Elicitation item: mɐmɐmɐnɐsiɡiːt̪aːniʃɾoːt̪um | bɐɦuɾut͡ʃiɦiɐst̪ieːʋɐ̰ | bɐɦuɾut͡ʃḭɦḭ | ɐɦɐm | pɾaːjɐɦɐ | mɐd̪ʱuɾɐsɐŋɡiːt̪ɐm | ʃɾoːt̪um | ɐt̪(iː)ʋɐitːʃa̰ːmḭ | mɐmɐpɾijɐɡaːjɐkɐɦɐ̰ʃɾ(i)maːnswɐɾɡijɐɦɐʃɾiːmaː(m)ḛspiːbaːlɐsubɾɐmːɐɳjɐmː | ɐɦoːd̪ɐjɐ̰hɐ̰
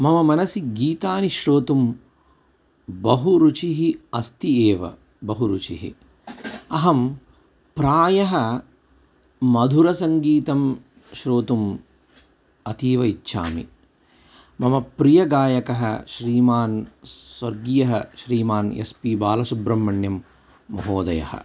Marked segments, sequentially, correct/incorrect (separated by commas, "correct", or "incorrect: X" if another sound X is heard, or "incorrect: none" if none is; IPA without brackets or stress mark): correct, incorrect: iː, incorrect: n